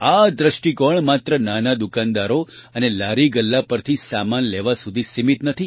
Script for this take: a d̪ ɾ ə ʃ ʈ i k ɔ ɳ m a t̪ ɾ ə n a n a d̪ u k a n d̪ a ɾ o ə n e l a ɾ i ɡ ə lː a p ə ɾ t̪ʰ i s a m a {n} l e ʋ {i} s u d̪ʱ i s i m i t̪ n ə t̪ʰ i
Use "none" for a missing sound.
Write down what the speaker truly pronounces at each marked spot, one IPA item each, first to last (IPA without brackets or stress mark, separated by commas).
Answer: n, a